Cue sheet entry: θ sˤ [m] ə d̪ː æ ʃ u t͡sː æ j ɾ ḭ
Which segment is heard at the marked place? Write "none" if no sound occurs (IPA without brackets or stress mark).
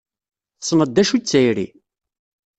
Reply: n